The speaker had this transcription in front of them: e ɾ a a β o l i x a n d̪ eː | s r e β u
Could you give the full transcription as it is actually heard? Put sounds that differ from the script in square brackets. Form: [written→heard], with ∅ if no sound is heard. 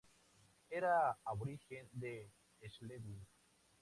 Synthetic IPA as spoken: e ɾ a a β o [l→ɾ] i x [a→e] n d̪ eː | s [r→l] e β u